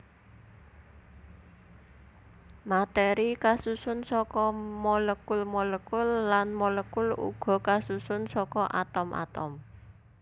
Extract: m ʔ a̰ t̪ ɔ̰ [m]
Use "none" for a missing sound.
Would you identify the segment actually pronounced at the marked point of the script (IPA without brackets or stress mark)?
m